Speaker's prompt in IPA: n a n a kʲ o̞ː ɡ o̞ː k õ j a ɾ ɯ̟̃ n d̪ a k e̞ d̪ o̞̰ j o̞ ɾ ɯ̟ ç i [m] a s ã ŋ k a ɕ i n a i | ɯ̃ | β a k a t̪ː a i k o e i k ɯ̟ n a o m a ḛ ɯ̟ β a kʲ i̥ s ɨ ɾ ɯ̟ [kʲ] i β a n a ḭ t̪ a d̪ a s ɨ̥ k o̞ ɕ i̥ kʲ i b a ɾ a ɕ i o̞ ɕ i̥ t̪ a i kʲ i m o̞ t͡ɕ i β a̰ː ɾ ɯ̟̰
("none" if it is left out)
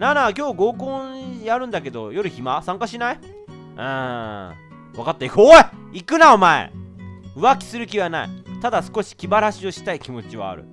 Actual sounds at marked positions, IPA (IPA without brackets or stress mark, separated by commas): m, kʲ